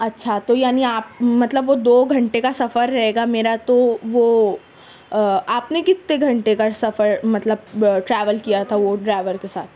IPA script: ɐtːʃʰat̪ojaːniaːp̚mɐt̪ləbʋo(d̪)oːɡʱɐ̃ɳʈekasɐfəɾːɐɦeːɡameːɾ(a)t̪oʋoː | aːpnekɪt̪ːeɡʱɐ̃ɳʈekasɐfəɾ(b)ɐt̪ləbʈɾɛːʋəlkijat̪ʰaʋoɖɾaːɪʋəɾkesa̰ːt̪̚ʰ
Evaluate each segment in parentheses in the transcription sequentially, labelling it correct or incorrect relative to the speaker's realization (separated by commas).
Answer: correct, correct, incorrect